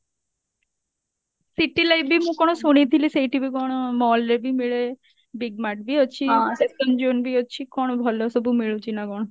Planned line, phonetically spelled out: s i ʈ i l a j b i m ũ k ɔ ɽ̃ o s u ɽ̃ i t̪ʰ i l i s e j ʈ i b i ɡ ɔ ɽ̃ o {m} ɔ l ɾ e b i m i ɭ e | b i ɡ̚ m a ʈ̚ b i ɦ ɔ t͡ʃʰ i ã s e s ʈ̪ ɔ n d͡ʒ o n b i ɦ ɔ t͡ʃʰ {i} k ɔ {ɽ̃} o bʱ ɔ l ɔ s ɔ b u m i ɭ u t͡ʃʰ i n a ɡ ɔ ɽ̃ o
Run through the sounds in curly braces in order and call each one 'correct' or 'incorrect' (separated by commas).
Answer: correct, correct, correct